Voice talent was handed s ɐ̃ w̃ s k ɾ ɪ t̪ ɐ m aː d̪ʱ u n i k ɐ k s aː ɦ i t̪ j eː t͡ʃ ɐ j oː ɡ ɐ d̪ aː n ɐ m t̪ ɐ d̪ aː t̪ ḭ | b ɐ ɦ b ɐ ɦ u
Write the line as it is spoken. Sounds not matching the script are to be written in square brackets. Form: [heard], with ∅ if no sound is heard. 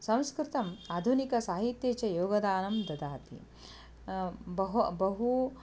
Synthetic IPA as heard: s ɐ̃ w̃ s k ɾ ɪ t̪ ɐ m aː d̪ʱ u n i k ɐ [∅] s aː ɦ i t̪ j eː t͡ʃ ɐ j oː ɡ ɐ d̪ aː n ɐ m [d̪] ɐ d̪ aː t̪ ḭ | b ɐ ɦ b ɐ ɦ u